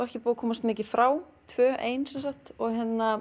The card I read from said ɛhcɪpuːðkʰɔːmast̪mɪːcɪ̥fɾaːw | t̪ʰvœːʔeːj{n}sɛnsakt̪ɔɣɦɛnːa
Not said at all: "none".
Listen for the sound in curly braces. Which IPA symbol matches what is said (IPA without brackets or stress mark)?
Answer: n